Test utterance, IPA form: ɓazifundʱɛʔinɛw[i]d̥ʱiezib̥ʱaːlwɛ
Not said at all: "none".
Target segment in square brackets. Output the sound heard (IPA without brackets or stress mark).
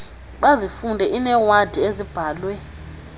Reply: a